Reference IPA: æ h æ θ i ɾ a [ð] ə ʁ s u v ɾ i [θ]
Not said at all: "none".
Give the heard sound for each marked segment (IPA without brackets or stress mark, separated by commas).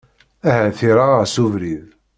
none, ð